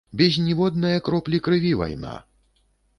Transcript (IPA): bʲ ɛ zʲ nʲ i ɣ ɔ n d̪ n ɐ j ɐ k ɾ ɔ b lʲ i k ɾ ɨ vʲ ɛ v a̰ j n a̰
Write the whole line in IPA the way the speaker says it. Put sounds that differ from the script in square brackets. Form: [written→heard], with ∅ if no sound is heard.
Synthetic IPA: bʲ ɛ zʲ nʲ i [ɣ→v] ɔ [n→∅] d̪ n ɐ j ɐ k ɾ ɔ [b→p] lʲ i k ɾ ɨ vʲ [ɛ→i] v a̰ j n a̰